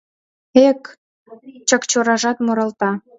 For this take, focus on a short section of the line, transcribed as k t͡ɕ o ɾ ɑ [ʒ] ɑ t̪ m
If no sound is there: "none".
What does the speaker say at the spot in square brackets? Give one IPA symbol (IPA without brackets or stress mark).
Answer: ʒ